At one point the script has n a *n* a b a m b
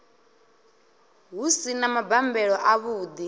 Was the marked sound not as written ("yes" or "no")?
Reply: yes